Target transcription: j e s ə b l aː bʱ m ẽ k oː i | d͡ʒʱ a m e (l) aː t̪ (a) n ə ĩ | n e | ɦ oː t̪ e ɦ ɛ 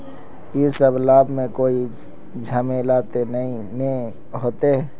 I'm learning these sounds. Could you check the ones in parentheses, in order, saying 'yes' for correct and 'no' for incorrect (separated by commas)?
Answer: yes, no